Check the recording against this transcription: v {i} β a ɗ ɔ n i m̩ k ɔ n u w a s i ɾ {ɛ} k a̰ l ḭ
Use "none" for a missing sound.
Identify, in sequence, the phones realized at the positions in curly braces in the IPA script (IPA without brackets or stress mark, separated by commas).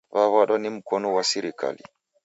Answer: a, i